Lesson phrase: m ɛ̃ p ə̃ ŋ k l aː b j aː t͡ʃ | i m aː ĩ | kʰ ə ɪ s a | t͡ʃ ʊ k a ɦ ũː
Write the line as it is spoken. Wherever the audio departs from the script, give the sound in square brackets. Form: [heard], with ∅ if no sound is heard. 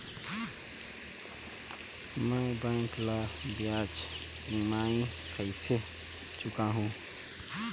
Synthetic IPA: m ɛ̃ [b] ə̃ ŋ k l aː b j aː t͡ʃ | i m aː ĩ | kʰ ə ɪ s [e] | t͡ʃ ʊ k a ɦ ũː